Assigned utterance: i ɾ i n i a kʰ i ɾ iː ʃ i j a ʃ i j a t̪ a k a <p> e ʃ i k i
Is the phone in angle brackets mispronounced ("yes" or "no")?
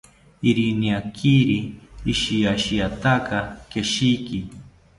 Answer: yes